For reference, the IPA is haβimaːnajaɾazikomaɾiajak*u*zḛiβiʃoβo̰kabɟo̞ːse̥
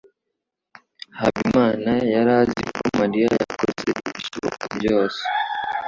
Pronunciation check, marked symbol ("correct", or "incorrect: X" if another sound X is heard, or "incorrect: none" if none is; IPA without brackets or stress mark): incorrect: o